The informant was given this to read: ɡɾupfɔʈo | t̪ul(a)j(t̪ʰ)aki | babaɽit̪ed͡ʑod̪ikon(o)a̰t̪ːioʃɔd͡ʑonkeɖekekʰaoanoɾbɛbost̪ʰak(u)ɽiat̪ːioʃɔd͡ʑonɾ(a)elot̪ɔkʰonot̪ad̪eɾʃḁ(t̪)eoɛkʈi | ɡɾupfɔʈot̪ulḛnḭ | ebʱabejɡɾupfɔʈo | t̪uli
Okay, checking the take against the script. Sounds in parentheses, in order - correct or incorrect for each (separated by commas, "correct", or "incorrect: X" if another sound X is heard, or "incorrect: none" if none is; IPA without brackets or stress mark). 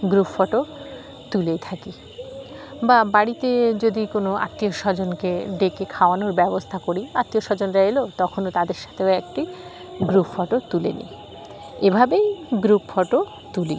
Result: incorrect: e, correct, correct, incorrect: o, correct, incorrect: t̪ʰ